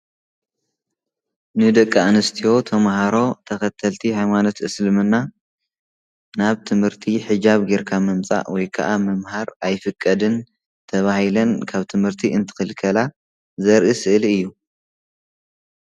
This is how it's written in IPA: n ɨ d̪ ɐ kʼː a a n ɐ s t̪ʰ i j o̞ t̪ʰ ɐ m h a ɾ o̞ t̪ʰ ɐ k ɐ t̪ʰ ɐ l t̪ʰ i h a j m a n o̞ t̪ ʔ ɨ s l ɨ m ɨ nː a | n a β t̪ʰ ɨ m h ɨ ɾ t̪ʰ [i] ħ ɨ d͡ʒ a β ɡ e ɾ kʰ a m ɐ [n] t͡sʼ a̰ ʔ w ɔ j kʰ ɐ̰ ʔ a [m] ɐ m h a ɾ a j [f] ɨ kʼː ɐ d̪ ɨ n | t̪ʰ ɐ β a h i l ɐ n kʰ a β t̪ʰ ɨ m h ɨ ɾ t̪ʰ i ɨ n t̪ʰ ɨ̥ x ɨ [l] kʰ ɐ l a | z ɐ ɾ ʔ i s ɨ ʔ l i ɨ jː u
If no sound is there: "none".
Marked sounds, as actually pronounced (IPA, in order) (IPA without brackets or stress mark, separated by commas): i, m, m, f, l